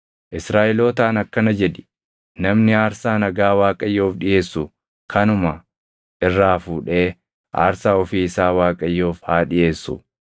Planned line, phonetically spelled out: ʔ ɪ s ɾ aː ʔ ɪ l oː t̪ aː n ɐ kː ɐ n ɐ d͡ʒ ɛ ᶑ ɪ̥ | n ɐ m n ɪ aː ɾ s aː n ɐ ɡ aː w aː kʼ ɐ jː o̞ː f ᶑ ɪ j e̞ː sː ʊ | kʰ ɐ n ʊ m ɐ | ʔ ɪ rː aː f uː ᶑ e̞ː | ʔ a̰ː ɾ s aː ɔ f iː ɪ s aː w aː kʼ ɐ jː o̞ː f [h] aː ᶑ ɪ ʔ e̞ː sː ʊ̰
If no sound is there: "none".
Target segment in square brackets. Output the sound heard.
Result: h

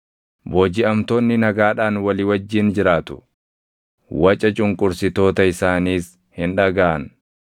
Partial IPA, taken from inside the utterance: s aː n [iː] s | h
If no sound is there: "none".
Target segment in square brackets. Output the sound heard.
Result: iː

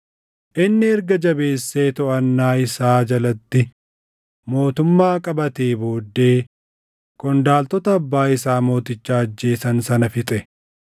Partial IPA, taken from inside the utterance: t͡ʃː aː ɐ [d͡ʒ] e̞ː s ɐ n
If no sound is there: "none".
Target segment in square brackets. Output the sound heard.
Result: d͡ʒː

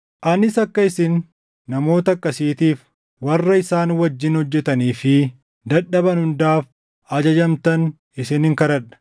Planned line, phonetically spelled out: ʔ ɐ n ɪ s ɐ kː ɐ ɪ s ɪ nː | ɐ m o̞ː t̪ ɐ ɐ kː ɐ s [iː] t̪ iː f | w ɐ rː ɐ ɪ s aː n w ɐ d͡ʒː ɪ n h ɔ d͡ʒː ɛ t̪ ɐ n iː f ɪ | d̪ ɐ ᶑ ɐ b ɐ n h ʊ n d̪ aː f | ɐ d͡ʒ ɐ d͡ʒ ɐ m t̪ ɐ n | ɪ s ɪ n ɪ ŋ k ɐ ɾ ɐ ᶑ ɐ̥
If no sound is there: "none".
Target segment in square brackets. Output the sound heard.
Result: iː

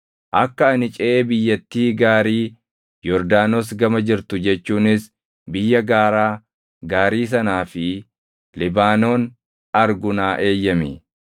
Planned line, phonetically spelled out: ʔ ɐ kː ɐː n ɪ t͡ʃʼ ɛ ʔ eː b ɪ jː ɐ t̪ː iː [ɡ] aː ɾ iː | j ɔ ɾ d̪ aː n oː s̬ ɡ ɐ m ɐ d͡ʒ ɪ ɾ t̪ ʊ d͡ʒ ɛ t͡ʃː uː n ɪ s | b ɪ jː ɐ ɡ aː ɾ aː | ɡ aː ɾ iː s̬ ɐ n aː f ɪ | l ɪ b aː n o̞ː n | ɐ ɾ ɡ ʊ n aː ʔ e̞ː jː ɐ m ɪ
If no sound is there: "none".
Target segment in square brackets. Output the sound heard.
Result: ɡ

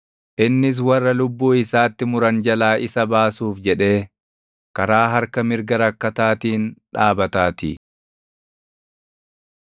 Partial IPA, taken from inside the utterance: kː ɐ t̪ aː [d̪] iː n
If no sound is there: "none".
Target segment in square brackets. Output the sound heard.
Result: t̪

